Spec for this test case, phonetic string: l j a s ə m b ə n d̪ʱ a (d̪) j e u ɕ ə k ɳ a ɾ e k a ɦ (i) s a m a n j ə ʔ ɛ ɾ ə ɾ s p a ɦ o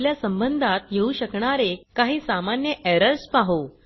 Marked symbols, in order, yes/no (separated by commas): no, no